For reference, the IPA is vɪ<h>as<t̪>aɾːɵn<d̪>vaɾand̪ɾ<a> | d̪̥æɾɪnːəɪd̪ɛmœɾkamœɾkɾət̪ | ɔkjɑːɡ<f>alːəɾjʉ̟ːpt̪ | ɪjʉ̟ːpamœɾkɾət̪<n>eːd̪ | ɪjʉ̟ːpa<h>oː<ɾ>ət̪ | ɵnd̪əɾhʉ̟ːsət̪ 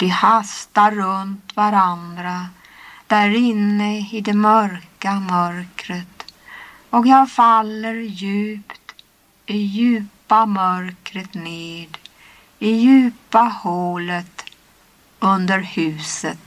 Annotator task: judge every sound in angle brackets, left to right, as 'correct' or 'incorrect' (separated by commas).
correct, correct, incorrect, correct, correct, correct, correct, incorrect